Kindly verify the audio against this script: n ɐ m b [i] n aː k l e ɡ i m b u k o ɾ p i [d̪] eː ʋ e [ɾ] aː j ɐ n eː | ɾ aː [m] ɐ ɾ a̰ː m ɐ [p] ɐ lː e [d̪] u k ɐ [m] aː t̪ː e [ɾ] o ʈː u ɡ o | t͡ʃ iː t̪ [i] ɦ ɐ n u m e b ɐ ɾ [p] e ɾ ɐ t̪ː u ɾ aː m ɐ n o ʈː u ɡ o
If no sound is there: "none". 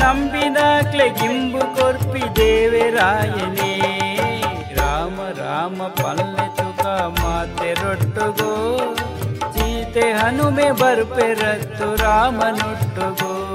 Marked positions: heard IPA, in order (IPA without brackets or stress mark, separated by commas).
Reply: i, d̪, ɾ, m, p, t̪, m, ɾ, e, p